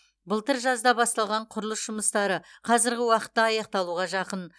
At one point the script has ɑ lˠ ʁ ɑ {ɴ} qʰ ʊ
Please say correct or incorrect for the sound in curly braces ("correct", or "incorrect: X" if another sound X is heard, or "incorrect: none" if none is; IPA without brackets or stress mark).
correct